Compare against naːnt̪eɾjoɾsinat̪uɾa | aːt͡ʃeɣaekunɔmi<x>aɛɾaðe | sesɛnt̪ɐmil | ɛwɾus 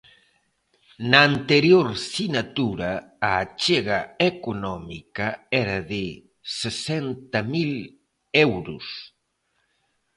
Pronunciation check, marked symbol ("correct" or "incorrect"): incorrect